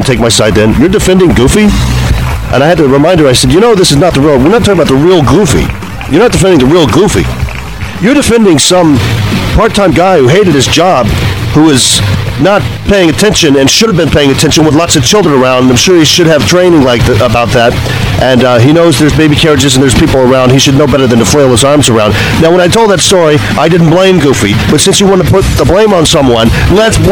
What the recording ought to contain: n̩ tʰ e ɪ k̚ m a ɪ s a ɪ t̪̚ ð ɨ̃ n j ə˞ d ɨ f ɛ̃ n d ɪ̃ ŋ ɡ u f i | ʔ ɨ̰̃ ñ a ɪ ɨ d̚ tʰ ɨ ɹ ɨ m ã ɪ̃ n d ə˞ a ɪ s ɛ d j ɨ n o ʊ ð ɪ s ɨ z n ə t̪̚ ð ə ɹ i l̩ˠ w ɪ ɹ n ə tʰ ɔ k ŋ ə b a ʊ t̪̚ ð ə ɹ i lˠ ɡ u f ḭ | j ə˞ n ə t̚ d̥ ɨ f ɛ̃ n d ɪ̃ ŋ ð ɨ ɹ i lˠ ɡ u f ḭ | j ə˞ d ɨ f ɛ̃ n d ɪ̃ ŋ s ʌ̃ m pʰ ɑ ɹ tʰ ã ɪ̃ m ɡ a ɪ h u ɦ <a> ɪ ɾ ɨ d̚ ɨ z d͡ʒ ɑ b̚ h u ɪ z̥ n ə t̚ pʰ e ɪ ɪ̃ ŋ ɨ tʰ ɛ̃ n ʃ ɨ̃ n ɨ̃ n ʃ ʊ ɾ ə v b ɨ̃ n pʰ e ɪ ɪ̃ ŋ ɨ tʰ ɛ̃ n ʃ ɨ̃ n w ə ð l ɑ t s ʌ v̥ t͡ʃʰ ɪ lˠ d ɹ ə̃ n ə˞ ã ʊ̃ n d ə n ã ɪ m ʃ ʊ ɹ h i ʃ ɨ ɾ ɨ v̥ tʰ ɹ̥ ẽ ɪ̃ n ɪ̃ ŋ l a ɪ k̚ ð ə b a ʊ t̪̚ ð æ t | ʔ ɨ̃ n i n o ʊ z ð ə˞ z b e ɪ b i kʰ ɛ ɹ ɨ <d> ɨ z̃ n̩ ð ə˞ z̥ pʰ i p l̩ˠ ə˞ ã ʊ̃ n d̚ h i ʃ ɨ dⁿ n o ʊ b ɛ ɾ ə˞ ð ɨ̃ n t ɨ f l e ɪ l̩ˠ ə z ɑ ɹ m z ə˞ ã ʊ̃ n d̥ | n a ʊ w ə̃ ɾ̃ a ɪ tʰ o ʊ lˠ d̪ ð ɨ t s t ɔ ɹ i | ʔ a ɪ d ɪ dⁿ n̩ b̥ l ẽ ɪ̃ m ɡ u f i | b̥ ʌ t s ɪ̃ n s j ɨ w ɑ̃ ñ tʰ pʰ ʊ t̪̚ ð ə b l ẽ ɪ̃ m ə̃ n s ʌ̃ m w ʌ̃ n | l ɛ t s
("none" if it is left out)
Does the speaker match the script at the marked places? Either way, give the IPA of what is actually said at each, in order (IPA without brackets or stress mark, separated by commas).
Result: e, d͡ʒ